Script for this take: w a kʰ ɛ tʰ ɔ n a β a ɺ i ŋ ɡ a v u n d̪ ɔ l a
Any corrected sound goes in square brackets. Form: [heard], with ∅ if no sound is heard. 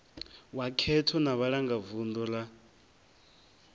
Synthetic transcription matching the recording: w a kʰ ɛ tʰ ɔ n a β a ɺ [a] ŋ ɡ a v u n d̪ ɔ l a